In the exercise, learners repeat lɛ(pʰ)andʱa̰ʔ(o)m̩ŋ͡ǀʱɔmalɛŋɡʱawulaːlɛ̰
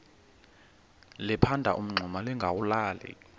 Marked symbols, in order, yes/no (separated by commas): yes, no